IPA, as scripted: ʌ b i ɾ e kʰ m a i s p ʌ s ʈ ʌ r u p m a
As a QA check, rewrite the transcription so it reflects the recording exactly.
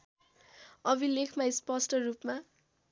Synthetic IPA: ʌ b i l e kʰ m a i s p ʌ s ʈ ʌ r u p m a